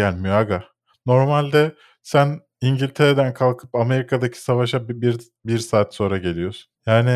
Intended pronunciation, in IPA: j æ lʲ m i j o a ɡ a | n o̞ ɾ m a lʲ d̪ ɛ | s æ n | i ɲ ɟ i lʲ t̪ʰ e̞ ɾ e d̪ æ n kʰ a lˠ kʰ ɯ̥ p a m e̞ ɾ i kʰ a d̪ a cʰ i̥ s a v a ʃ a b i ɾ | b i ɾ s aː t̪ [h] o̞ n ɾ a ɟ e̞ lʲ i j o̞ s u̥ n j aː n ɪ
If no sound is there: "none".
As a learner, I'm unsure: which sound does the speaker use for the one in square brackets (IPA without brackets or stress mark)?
s